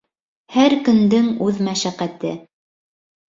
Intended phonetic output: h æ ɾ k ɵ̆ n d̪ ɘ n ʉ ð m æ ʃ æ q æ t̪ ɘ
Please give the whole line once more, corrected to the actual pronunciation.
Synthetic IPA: h æ ɾ k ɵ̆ n d̪ ɘ ŋ ʉ ð m æ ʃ æ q æ t̪ ɘ